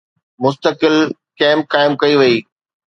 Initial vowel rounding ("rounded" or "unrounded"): rounded